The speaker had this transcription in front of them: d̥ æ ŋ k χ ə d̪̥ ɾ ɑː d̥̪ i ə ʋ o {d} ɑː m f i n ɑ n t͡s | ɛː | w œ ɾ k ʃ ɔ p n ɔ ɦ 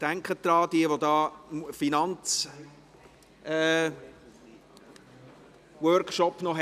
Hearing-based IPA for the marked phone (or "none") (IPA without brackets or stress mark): d